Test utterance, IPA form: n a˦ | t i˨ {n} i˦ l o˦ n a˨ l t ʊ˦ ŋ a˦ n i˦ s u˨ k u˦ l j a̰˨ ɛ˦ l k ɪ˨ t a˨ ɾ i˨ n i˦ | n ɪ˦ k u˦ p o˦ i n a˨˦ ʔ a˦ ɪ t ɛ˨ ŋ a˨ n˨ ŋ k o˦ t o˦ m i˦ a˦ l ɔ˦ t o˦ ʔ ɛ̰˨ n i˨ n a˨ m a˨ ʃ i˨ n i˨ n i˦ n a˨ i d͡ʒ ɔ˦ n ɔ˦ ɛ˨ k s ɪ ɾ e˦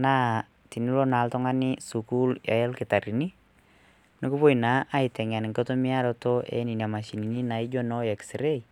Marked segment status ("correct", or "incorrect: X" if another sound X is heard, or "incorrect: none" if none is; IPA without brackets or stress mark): correct